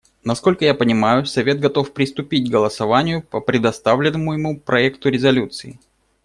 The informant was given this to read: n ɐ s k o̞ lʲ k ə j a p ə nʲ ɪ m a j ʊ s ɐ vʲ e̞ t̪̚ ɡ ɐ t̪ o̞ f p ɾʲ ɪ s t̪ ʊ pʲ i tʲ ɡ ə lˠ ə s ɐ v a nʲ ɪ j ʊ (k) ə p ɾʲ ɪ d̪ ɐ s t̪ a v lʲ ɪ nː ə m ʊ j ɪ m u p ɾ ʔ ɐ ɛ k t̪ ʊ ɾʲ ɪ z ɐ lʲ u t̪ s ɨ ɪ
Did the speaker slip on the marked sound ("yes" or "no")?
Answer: yes